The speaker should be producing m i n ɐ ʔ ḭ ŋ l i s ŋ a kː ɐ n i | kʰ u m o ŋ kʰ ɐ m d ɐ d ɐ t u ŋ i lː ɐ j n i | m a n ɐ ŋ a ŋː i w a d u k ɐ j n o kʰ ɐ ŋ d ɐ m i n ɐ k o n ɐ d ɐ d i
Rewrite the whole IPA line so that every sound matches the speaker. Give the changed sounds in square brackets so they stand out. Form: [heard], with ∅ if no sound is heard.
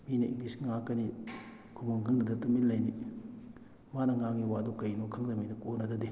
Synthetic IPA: m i n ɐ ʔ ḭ ŋ l i s ŋ a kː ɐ n i | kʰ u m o ŋ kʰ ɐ [ŋ] d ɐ d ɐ t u [m] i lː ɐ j n i | m a n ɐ ŋ a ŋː i w a d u k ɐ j n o kʰ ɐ ŋ d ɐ m i n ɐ k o n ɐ d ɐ d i